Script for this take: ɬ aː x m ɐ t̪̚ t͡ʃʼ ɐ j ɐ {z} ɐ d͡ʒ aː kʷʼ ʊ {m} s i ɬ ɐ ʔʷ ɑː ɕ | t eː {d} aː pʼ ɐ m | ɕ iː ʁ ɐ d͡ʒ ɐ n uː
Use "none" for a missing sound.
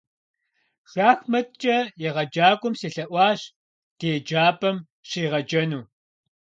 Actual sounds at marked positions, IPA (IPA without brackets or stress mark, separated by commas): ʁ, m, d͡ʒ